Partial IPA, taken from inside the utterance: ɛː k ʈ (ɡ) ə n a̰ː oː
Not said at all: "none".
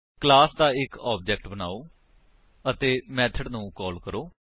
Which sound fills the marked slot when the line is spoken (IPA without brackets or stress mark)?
b